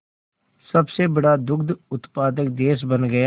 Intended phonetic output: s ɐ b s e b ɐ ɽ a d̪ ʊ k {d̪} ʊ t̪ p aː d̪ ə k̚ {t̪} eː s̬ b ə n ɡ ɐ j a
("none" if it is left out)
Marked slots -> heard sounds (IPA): d̪, d̪

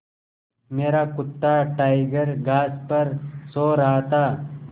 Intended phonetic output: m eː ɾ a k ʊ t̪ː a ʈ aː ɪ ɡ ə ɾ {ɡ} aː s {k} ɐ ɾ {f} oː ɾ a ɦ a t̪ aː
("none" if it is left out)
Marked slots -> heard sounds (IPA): ɡ, p, s

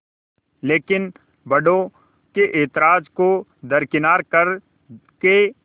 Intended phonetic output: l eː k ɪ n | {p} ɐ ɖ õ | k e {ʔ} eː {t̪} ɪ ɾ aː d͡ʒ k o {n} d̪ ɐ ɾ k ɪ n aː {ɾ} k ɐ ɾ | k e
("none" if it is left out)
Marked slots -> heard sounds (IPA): b, ʔ, t̪, none, ɾ

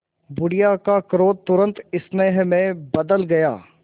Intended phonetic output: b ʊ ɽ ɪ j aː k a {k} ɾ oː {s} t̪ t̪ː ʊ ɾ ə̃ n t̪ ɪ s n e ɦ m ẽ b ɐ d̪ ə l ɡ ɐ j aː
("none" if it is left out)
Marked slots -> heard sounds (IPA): k, none

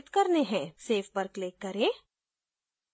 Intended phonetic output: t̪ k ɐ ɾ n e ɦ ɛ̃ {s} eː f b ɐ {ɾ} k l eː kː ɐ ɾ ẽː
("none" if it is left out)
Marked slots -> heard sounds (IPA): s, ɾ

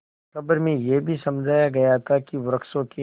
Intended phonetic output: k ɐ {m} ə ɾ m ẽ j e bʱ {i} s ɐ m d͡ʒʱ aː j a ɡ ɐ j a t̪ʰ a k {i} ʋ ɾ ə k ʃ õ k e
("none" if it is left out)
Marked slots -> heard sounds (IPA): b, i, i

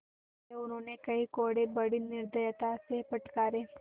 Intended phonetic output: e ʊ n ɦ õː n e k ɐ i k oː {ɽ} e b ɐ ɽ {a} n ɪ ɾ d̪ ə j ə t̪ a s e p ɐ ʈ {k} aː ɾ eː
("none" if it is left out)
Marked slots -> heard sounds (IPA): ɽ, i, k

